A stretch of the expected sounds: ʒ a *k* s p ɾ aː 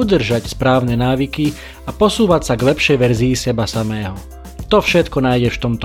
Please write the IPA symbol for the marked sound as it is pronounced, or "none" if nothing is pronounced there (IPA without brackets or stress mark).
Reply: c